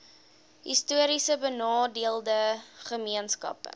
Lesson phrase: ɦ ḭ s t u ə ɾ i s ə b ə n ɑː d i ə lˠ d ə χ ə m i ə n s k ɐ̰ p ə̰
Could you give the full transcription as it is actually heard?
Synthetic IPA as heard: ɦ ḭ s t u ə ɾ i s ə b ə n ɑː d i ə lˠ d ə χ ə m i ə n s k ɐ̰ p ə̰